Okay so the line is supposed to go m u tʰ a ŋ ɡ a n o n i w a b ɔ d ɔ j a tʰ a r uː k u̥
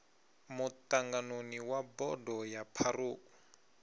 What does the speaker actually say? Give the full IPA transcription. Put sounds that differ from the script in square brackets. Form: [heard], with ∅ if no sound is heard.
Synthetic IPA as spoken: m u [t] a ŋ ɡ a n o n i w a b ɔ d ɔ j a [pʰ] a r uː k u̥